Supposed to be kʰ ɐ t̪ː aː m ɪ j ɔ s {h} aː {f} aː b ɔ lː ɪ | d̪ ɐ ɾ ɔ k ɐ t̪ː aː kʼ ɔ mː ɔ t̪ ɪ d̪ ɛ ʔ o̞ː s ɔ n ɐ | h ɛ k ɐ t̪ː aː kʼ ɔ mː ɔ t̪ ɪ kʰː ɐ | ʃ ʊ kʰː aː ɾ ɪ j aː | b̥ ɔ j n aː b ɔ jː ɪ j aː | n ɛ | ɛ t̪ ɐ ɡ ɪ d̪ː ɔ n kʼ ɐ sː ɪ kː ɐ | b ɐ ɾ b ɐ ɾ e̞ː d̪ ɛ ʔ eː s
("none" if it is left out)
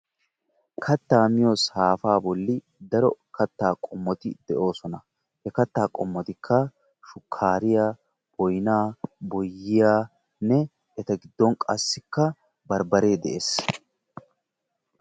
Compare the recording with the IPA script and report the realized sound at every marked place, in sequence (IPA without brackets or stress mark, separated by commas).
h, f